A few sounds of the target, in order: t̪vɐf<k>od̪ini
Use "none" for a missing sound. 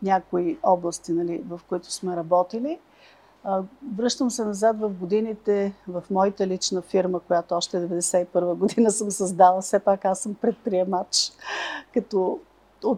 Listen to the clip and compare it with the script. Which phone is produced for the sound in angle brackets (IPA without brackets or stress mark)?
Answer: ɡ